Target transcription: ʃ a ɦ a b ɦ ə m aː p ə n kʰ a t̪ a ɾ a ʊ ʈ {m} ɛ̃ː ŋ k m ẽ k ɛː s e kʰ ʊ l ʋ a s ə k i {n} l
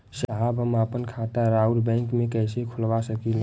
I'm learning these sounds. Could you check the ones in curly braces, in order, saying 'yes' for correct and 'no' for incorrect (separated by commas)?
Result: no, no